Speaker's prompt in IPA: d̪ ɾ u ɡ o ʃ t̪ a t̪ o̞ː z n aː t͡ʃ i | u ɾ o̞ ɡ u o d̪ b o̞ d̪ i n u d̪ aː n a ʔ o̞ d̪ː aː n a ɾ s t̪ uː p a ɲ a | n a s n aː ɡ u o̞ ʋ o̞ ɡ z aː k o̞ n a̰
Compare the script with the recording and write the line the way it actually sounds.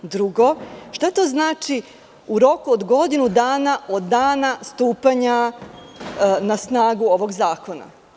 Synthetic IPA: d̪ ɾ u ɡ o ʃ t̪ a t̪ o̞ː z n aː t͡ʃ i | u ɾ o̞ k u o d̪ ɡ o̞ d̪ i n u d̪ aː n a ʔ o̞ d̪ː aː n a s t̪ uː p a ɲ a | n a s n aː ɡ u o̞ ʋ o̞ ɡ z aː k o̞ n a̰